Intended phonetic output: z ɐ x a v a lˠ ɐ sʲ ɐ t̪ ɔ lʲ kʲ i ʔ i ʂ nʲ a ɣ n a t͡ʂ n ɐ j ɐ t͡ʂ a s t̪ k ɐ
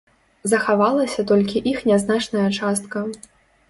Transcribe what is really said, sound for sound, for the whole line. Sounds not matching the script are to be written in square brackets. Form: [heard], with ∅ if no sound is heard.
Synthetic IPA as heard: z ɐ x a v a lˠ ɐ sʲ ɐ t̪ ɔ lʲ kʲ i ʔ i [x] nʲ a [z] n a t͡ʂ n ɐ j ɐ t͡ʂ a s t̪ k ɐ